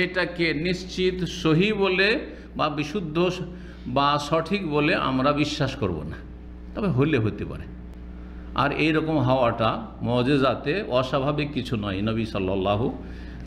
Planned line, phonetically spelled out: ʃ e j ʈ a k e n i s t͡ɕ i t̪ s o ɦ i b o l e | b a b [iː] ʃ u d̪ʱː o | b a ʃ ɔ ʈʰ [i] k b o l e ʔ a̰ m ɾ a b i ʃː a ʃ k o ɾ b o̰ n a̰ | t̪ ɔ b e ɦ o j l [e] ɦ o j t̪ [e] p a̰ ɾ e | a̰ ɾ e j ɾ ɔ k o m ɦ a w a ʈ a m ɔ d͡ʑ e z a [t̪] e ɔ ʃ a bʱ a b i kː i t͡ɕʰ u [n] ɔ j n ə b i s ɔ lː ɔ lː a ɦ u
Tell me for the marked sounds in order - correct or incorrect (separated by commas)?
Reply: incorrect, correct, correct, correct, correct, correct